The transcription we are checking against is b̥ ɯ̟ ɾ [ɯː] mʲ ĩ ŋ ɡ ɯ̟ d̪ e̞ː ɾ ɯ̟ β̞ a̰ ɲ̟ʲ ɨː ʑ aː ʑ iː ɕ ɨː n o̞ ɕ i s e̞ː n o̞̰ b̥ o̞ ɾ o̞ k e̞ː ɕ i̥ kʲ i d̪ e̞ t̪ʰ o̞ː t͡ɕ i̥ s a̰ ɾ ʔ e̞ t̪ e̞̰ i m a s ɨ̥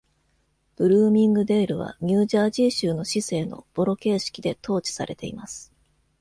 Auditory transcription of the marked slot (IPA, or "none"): ɯː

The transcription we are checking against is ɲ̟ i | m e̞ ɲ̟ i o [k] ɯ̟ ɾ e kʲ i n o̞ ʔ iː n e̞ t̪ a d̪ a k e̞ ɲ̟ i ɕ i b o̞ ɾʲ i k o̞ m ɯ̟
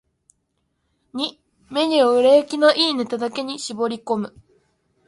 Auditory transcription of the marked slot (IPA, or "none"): none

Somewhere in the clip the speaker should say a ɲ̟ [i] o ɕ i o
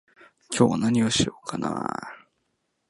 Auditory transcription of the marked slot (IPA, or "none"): i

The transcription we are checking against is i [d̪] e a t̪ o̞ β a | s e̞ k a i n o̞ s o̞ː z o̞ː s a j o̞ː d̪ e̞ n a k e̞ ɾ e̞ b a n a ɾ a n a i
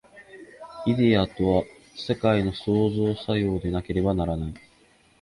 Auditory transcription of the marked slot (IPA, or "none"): d̪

